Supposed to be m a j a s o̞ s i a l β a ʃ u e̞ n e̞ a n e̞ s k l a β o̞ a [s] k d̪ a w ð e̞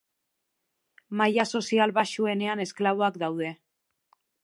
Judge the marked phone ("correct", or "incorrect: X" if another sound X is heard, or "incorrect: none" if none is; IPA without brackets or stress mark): incorrect: none